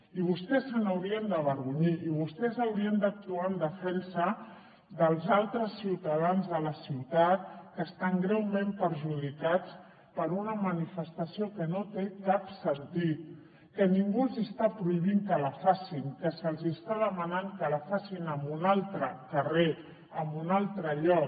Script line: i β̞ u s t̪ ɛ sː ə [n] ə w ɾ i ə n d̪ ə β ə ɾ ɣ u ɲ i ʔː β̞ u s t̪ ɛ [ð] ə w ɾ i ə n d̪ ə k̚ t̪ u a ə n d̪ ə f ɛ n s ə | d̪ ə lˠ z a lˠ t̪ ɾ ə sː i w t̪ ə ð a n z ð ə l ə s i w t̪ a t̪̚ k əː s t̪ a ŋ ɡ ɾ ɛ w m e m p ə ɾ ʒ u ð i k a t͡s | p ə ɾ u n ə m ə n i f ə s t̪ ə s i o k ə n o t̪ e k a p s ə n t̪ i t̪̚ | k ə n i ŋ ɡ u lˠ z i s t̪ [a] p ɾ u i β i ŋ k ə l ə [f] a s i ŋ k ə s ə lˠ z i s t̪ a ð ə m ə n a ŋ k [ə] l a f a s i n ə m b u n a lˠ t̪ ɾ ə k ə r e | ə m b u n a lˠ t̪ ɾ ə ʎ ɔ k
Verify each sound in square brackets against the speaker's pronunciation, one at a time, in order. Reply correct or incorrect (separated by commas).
correct, incorrect, correct, correct, correct